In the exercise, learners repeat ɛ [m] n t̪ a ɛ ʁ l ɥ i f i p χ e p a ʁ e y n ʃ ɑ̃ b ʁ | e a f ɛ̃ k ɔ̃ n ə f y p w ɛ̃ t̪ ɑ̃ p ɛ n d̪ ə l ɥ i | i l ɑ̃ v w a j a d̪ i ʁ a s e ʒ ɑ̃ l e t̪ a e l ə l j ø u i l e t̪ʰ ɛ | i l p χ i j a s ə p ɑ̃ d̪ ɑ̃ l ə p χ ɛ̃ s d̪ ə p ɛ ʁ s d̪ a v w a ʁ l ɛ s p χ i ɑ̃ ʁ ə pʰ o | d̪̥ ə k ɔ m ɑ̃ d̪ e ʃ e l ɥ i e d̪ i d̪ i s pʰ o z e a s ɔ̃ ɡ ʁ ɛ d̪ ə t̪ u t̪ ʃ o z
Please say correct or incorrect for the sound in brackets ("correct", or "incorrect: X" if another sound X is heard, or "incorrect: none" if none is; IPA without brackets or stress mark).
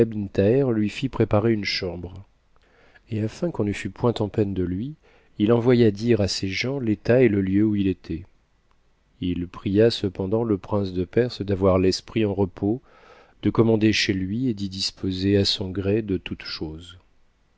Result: incorrect: b